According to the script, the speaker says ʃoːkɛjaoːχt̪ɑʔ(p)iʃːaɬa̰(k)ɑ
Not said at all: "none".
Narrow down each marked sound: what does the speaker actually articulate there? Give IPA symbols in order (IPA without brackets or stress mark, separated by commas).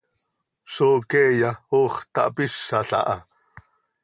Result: p, ʔ